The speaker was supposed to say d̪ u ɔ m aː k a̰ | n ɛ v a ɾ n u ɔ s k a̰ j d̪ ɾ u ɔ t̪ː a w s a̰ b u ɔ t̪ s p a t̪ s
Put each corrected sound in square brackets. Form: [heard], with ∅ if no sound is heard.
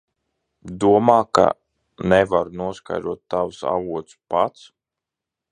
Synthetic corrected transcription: d̪ u ɔ m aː k a̰ | n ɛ v a ɾ n u ɔ s k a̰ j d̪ ɾ u ɔ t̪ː a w s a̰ [v] u ɔ t̪ s p a t̪ s